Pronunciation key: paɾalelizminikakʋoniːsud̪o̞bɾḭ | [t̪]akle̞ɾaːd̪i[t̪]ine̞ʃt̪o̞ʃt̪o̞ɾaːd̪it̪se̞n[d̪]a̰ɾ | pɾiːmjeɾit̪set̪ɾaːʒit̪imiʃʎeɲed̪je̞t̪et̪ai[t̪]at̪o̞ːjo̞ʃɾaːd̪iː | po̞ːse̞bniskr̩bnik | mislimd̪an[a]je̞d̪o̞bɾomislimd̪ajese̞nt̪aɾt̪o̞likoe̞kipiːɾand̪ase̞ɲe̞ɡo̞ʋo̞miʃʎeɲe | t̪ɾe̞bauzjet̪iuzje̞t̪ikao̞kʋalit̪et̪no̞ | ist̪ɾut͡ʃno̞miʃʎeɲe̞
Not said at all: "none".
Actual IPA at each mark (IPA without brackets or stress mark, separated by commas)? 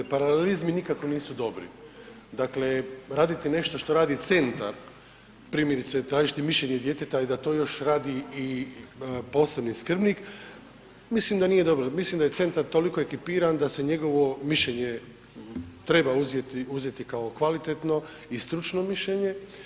d̪, t̪, t̪, d̪, i